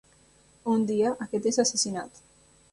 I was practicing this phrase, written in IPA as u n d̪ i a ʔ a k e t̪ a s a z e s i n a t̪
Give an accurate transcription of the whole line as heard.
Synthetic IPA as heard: u n d̪ i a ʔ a k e t̪ e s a s e s i n a t̪